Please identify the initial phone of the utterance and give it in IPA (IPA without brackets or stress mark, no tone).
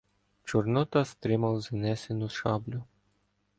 t͡ʃ